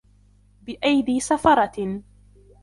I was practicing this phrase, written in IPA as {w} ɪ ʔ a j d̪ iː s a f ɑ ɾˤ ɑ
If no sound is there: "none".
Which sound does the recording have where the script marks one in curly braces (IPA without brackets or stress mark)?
b